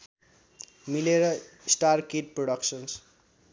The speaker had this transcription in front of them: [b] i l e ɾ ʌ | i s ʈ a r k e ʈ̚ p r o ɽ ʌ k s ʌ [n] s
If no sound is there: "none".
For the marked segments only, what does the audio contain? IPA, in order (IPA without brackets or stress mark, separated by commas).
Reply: m, n